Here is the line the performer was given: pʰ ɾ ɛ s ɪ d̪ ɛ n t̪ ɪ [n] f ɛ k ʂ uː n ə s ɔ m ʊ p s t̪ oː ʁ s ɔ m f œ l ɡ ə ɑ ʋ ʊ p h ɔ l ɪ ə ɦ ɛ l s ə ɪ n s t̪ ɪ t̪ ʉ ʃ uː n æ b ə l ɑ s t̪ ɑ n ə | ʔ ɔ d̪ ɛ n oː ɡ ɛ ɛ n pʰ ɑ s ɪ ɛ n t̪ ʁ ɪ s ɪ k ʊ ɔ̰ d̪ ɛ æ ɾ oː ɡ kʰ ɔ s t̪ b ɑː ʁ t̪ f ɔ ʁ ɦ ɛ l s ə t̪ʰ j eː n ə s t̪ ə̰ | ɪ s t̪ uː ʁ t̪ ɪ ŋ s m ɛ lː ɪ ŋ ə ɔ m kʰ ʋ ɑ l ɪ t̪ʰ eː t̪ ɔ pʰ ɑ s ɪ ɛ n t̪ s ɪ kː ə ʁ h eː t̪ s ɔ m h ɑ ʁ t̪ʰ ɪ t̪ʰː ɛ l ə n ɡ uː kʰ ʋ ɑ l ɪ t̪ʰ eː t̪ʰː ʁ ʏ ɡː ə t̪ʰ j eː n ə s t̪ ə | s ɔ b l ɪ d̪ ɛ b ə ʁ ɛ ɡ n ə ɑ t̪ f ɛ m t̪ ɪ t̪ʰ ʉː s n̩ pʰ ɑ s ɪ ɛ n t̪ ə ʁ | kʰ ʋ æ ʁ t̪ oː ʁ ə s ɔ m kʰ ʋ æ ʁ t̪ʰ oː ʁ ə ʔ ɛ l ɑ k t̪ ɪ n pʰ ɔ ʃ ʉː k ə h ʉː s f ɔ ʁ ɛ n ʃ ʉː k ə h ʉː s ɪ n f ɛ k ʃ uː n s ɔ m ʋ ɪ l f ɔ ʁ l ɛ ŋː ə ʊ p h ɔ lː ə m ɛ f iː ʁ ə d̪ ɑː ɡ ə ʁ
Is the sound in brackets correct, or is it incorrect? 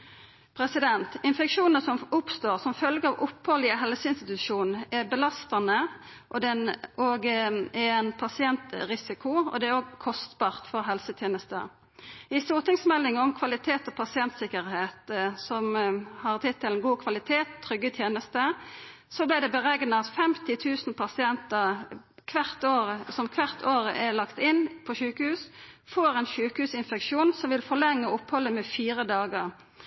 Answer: correct